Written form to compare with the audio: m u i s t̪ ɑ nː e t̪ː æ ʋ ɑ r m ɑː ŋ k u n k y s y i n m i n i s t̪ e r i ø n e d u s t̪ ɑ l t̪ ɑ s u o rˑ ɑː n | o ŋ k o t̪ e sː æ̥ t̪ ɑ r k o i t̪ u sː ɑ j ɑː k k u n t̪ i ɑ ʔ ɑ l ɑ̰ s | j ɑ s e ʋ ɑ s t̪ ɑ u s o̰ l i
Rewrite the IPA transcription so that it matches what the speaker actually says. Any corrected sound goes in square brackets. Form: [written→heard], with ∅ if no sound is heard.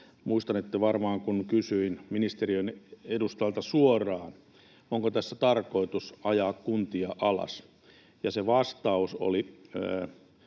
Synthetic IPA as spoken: m u i s t̪ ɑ [nː→n] e t̪ː æ ʋ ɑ r m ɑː ŋ k u n k y s y i n m i n i s t̪ e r i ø n e d u s t̪ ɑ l t̪ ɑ s u o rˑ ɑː n | o ŋ k o t̪ [e→æ] sː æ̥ t̪ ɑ r k o i t̪ u [sː→s] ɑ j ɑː k k u n t̪ i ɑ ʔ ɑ l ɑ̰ s | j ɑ s e ʋ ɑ s t̪ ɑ u s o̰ l i